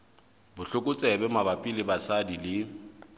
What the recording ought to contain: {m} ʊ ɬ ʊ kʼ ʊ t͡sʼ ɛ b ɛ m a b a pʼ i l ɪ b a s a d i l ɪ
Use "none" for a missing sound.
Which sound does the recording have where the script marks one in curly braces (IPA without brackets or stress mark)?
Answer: b